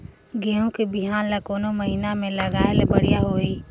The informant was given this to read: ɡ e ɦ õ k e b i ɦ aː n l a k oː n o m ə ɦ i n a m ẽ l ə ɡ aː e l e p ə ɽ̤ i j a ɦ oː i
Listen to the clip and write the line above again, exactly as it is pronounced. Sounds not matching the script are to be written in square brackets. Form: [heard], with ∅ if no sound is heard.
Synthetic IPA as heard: ɡ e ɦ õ k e b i ɦ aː n l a k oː n o m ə ɦ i n a m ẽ l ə ɡ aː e l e [b] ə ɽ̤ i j a ɦ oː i

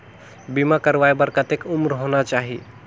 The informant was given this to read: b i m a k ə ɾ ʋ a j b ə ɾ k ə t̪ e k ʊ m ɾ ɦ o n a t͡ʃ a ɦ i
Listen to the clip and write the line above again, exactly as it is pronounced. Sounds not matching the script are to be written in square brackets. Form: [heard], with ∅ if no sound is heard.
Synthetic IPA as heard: b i m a k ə ɾ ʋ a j b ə ɾ k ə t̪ e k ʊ m ɾ ɦ o n a t͡ʃ a ɦ i

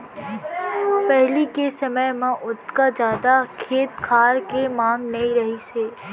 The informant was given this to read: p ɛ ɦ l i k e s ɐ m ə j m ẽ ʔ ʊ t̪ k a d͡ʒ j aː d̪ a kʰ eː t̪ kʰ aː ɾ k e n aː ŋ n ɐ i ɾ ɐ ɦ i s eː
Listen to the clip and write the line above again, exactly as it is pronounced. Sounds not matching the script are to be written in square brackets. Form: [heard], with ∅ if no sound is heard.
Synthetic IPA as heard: p ɛ ɦ l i k e s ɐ m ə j m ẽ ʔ ʊ t̪ k a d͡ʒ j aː d̪ a kʰ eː t̪ kʰ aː ɾ k e [m] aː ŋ n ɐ i ɾ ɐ ɦ i s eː

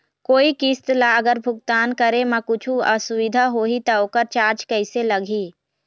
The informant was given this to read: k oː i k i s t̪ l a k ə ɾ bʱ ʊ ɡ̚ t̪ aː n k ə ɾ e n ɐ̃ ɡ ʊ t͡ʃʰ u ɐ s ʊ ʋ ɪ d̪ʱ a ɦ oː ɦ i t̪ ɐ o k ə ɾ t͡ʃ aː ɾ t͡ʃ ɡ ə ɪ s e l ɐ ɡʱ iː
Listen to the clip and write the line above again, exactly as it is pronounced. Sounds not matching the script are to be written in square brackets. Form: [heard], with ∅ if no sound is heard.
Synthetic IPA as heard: k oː i k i s t̪ l a [ɡ] ə ɾ bʱ ʊ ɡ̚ t̪ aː n k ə ɾ e [m] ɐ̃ [k] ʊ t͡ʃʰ u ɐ s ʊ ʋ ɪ d̪ʱ a ɦ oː ɦ i t̪ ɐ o k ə ɾ t͡ʃ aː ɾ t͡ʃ [k] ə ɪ s e l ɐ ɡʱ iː

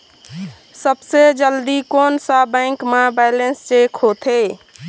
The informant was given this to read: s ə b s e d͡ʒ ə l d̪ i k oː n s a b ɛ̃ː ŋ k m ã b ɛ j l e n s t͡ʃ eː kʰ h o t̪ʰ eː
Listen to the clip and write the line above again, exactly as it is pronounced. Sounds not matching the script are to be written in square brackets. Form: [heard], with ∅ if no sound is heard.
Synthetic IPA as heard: s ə b s e d͡ʒ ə l d̪ i k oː n s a b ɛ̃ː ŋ k m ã b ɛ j l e n s t͡ʃ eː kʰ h o t̪ʰ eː

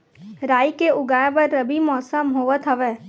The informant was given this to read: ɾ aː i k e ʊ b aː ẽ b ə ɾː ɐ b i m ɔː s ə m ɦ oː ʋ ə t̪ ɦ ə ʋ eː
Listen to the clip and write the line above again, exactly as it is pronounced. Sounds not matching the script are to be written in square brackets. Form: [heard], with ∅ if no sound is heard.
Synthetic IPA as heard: ɾ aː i k e ʊ [ɡ] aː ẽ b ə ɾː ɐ b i m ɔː s ə m ɦ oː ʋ ə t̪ ɦ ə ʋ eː

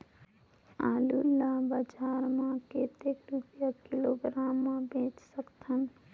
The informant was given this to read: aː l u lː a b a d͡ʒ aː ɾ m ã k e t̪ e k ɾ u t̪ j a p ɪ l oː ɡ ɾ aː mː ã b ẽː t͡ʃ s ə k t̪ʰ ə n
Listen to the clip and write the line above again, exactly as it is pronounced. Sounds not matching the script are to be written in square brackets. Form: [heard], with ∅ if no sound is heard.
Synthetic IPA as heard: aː l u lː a b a d͡ʒ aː ɾ m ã k e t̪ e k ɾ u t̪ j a [k] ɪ l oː ɡ ɾ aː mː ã b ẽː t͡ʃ s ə k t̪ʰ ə n

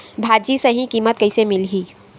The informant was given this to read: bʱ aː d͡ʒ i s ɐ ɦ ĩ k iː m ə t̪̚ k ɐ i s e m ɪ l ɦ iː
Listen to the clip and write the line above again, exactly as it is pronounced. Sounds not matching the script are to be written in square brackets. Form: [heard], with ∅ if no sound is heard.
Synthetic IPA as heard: bʱ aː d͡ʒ i s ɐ ɦ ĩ k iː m ə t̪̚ k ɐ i s e m ɪ l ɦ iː

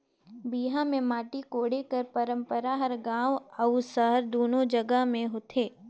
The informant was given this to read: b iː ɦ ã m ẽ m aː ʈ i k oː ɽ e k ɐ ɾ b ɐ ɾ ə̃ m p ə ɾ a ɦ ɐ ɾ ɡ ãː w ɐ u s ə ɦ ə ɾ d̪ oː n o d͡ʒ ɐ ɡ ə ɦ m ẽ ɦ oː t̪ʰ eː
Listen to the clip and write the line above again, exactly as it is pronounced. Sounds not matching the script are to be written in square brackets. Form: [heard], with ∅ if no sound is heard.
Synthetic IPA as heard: b iː ɦ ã m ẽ m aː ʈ i k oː ɽ e k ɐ ɾ [p] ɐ ɾ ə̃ m p ə ɾ a ɦ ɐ ɾ ɡ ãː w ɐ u s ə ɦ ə ɾ d̪ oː n o d͡ʒ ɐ ɡ ə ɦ m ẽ ɦ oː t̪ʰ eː

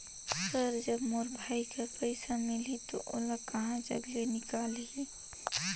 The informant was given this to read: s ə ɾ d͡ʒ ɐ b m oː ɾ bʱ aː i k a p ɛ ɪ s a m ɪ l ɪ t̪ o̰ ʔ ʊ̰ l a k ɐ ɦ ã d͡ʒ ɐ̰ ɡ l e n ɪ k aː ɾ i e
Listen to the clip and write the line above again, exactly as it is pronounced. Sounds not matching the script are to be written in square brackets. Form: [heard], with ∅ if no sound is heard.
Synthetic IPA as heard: s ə ɾ d͡ʒ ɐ b m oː ɾ bʱ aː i k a p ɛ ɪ s a m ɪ l [i] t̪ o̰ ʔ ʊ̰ l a k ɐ ɦ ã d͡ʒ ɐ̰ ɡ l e n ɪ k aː [l] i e

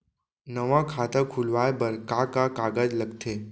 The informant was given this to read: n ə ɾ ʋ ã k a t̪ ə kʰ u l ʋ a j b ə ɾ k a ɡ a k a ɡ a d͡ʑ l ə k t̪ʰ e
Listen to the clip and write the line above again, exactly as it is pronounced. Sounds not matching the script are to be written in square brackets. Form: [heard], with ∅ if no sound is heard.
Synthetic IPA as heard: n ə [∅] ʋ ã [kʰ] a t̪ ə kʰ u l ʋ a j b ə ɾ k a [k] a k a ɡ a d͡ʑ l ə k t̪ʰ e

